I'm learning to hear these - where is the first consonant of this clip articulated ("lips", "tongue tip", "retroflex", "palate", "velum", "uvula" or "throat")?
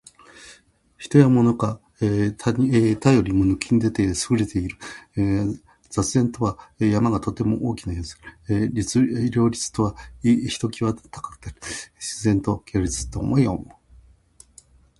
palate